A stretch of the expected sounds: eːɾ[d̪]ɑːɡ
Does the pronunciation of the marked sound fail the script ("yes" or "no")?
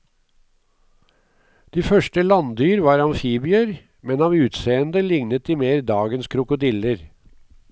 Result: no